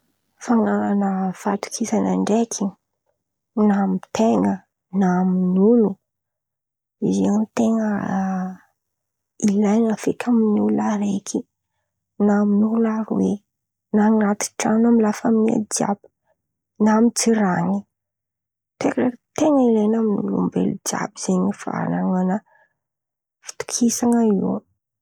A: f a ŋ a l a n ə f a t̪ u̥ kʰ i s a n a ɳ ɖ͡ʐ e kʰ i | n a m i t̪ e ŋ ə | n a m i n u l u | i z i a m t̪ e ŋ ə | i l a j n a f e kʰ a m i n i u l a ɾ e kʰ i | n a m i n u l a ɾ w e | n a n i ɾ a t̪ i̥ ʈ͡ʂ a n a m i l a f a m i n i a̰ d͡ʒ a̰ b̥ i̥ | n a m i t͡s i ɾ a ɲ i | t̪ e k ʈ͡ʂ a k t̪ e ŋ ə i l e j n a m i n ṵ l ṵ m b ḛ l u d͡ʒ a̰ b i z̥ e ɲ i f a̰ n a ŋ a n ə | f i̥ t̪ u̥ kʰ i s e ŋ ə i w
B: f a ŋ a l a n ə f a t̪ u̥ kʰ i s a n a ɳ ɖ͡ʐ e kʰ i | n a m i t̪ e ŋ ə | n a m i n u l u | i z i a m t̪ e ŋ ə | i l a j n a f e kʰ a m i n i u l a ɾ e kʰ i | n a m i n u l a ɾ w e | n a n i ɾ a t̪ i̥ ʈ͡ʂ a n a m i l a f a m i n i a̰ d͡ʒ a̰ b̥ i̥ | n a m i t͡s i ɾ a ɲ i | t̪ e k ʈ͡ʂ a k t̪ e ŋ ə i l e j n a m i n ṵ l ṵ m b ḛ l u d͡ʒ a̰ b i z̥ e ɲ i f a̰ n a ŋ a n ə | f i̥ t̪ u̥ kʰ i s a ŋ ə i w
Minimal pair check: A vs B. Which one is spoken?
B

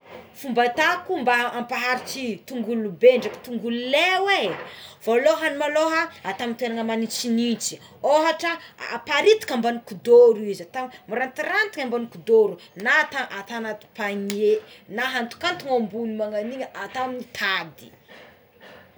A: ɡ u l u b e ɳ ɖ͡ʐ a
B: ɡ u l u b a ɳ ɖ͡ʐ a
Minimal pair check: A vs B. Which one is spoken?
A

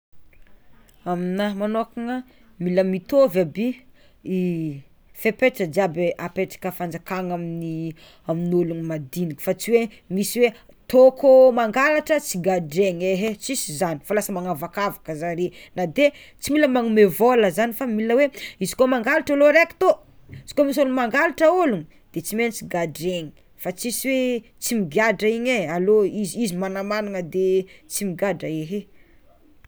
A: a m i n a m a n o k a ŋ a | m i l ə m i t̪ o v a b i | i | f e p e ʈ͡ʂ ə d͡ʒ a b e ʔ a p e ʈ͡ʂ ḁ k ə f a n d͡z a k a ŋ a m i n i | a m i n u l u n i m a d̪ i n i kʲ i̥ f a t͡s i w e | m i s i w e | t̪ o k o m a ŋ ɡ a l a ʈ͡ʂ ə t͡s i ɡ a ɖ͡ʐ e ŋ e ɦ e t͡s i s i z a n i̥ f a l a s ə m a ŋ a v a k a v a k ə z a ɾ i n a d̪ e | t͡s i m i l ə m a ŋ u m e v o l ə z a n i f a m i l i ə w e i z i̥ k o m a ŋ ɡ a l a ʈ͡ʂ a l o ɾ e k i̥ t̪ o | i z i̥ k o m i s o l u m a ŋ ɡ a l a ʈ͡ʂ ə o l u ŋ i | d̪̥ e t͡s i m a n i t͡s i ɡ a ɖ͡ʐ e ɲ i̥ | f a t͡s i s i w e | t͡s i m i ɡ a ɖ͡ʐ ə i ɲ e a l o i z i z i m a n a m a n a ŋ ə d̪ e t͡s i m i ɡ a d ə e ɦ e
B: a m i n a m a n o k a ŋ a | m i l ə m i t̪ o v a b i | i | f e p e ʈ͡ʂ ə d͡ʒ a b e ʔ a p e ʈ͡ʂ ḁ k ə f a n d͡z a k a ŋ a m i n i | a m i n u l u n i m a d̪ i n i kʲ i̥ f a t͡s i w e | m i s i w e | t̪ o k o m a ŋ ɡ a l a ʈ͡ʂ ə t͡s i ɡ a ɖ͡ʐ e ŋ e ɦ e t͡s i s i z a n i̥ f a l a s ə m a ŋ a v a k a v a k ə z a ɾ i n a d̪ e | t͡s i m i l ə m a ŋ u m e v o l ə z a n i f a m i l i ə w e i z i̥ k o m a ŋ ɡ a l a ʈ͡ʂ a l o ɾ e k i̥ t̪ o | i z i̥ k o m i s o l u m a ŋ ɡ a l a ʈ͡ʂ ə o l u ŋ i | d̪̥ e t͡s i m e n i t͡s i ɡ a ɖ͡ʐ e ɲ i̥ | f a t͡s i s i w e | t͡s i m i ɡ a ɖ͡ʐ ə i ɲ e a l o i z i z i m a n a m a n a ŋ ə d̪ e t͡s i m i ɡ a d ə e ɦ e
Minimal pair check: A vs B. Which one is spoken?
B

